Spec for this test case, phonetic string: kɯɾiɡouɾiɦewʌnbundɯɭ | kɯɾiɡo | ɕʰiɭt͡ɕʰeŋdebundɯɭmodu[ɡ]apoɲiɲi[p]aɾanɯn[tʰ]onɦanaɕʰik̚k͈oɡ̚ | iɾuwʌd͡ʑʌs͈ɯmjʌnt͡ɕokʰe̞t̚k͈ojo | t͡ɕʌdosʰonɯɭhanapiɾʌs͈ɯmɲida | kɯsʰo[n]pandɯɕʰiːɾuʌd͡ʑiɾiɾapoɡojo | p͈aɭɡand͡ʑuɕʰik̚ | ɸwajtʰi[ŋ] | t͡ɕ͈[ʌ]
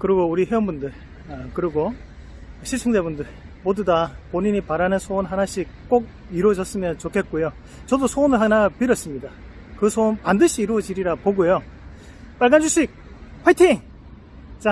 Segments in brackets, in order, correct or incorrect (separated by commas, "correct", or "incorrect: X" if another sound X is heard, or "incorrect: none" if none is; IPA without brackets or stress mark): incorrect: d, correct, incorrect: sʰ, correct, correct, incorrect: a